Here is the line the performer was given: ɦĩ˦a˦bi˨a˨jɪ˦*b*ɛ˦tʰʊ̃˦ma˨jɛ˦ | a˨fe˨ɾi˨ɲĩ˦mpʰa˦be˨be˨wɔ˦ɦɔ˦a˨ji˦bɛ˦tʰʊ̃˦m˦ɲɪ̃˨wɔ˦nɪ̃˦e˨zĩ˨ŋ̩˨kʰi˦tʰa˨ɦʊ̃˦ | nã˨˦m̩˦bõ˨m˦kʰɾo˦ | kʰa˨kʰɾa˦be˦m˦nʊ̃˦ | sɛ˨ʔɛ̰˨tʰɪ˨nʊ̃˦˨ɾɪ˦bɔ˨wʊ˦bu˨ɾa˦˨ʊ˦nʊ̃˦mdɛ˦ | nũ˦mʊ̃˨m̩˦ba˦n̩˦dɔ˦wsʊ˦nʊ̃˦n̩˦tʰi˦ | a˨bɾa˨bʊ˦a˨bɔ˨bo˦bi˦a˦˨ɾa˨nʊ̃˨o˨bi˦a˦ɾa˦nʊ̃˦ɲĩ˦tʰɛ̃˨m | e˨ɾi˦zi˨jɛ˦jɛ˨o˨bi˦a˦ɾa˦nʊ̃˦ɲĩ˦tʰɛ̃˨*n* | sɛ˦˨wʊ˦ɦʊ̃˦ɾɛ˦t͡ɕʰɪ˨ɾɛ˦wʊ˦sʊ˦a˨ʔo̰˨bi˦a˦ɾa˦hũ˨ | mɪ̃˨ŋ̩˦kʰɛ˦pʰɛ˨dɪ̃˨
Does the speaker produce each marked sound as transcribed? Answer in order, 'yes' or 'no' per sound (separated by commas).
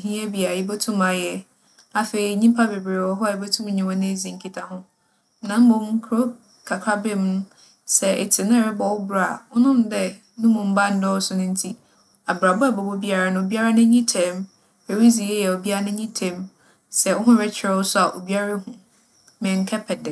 yes, no